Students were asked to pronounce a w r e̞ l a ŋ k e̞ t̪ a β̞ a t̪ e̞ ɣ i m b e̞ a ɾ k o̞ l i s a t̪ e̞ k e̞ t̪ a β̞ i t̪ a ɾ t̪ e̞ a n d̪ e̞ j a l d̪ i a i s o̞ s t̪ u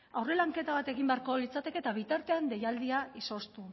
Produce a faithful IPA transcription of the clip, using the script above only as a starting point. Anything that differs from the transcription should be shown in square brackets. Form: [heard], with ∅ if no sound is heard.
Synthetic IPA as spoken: a w r e̞ l a ŋ k e̞ t̪ a β̞ a t̪ e̞ ɣ i m b e̞ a ɾ k o̞ l i [t͡s] a t̪ e̞ k e̞ t̪ a β̞ i t̪ a ɾ t̪ e̞ a n d̪ e̞ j a l d̪ i a i s o̞ s t̪ u

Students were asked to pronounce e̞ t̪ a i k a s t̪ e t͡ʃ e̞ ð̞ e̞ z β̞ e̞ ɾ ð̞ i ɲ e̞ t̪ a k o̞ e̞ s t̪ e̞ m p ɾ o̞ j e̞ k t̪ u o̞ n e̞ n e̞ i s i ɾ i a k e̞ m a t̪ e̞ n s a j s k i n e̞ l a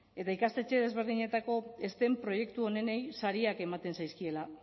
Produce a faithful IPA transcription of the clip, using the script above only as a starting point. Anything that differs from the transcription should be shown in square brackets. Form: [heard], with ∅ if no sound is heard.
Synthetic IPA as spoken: e̞ t̪ a i k a s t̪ e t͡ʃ e̞ ð̞ e̞ z β̞ e̞ ɾ ð̞ i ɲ e̞ t̪ a k o̞ e̞ s t̪ e̞ m p ɾ o̞ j e̞ k t̪ u o̞ n e̞ n e̞ [j] s [a] ɾ i a k e̞ m a t̪ e̞ n s a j s k i [∅] e̞ l a

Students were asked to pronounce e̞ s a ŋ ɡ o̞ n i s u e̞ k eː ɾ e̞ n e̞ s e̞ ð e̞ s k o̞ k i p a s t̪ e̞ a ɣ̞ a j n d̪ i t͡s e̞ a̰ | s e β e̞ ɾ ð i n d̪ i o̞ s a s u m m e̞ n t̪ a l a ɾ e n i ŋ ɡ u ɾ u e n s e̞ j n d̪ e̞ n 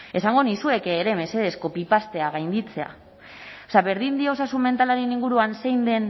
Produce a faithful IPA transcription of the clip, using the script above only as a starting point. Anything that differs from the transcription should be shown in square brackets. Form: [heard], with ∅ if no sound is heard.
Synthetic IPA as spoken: e̞ s a ŋ ɡ o̞ n i s u e̞ k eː ɾ e̞ [m] e̞ s e̞ ð e̞ s k o̞ [p] i p a s t̪ e̞ a ɣ̞ a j n d̪ i t͡s e̞ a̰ | s [a] β e̞ ɾ ð i n d̪ i o̞ s a s u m m e̞ n t̪ a l a ɾ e n i ŋ ɡ u ɾ u [a] n s e̞ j n d̪ e̞ n

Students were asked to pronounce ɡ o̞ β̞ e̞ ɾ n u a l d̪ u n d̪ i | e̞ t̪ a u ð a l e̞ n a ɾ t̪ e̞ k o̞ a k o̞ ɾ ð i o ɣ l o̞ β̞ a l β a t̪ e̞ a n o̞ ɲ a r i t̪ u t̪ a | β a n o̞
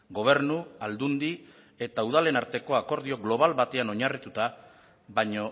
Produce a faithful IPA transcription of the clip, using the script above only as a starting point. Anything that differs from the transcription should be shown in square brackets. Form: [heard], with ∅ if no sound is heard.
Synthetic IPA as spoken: ɡ o̞ β̞ e̞ ɾ n u a l d̪ u n d̪ i | e̞ t̪ a u ð a l e̞ n a ɾ t̪ e̞ k o̞ a k o̞ ɾ ð i o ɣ l o̞ β̞ a l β a t̪ e̞ a n o̞ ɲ a r i t̪ u t̪ a | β a [ɲ] o̞

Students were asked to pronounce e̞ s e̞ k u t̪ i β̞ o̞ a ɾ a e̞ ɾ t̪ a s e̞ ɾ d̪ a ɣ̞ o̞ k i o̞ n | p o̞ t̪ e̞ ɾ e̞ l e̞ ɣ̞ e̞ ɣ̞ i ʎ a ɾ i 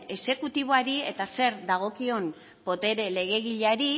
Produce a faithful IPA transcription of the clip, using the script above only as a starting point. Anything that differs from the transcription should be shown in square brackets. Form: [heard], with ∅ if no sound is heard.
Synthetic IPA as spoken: e̞ s e̞ k u t̪ i β̞ o̞ a ɾ [i] e̞ [∅] t̪ a s e̞ ɾ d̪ a ɣ̞ o̞ k i o̞ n | p o̞ t̪ e̞ ɾ e̞ l e̞ ɣ̞ e̞ ɣ̞ i ʎ a ɾ i

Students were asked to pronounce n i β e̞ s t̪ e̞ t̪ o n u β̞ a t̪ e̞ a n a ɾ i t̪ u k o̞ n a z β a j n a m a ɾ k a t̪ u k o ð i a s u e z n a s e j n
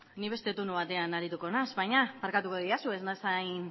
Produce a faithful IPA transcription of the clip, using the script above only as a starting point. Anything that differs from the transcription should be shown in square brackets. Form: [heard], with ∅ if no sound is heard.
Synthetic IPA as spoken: n i β e̞ s t̪ e̞ t̪ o n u β̞ a t̪ e̞ a n a ɾ i t̪ u k o̞ n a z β a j [ɲ] a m a ɾ k a t̪ u k o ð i a s u e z n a s [a] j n

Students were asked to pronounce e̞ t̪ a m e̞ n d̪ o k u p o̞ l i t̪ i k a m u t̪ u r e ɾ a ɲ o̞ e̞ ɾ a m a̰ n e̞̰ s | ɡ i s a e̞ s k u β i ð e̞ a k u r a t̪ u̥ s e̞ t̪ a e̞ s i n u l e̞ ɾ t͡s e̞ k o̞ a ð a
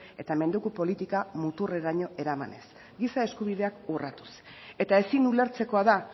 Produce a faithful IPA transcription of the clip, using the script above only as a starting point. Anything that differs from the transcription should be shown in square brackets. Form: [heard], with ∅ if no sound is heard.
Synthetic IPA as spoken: e̞ t̪ a m e̞ n d̪ [u] k u p o̞ l i t̪ i k a m u t̪ u r e ɾ a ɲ o̞ e̞ ɾ a m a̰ n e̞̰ s | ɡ i s a e̞ s k u β i ð e̞ a k u r a t̪ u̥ s e̞ t̪ a e̞ s i n u l e̞ ɾ t͡s e̞ k o̞ a ð a

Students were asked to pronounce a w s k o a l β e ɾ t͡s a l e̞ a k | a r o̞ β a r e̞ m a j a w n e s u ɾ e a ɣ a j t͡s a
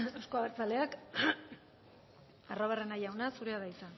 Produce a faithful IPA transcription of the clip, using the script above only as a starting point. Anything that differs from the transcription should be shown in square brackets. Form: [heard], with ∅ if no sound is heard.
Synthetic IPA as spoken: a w s k o a [∅] β e ɾ t͡s a l e̞ a k | a r o̞ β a r e̞ [n] a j a w n [a] s u ɾ e a [ð] a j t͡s a

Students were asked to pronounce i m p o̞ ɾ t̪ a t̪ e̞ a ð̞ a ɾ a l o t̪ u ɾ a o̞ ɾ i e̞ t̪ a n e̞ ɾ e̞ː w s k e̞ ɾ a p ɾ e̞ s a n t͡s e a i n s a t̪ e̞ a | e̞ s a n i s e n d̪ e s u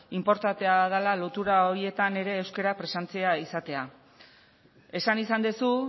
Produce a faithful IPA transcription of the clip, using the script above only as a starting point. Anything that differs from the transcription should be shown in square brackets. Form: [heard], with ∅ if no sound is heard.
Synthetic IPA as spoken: i m p o̞ ɾ t̪ a t̪ e̞ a ð̞ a [l] a l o t̪ u ɾ a o̞ ɾ i e̞ t̪ a n e̞ ɾ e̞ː w s k e̞ ɾ a p ɾ e̞ s a n t͡s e a i [∅] s a t̪ e̞ a | e̞ s a n i s [a] n d̪ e s u

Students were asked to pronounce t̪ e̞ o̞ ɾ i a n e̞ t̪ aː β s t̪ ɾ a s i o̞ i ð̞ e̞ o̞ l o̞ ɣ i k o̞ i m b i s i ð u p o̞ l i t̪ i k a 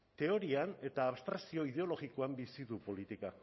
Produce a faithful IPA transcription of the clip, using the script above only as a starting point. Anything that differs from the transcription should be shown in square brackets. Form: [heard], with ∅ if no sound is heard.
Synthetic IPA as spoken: t̪ e̞ o̞ ɾ i a n e̞ t̪ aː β s t̪ ɾ a s i o̞ i ð̞ e̞ o̞ l o̞ ɣ i k o̞ [a] m b i s i ð u p o̞ l i t̪ i k a

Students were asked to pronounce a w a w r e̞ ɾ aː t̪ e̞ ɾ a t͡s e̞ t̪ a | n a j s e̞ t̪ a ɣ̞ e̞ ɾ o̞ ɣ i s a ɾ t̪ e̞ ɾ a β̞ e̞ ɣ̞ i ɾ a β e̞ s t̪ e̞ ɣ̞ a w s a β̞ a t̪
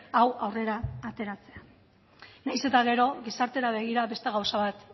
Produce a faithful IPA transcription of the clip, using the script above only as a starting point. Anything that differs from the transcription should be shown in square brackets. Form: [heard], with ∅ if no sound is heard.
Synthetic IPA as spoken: a w a w r e̞ ɾ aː t̪ e̞ ɾ a t͡s e̞ [∅] a | n a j s e̞ t̪ a ɣ̞ e̞ ɾ o̞ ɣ i s a ɾ t̪ e̞ ɾ a β̞ e̞ ɣ̞ i ɾ a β e̞ s t̪ e̞ ɣ̞ a w s a β̞ a t̪

